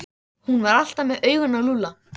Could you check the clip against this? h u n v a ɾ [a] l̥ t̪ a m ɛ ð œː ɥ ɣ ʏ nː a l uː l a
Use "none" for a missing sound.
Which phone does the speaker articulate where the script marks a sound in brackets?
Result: a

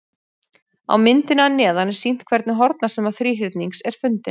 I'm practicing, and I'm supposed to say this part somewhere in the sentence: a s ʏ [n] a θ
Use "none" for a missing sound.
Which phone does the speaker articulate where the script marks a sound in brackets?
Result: m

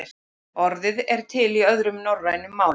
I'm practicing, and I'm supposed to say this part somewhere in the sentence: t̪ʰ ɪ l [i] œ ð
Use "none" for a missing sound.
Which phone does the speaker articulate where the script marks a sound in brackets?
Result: i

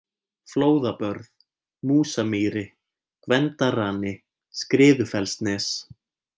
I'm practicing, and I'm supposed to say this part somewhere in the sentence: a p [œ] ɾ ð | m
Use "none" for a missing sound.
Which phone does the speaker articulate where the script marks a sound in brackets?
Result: œ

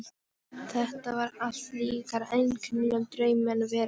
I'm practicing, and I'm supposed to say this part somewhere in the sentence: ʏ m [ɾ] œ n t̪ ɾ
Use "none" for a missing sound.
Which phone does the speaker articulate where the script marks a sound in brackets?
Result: l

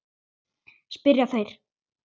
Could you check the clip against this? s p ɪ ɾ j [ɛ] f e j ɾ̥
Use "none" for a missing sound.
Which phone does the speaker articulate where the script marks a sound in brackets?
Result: a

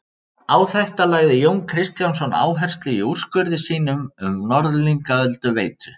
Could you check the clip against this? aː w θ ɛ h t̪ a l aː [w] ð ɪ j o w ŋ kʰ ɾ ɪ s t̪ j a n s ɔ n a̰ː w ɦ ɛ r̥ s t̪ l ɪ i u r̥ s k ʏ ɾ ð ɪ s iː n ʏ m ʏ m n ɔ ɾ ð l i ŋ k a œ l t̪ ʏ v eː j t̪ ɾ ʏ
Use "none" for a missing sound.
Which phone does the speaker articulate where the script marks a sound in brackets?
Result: ɣ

